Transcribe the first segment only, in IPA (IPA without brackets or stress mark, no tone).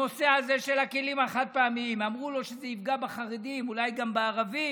o̞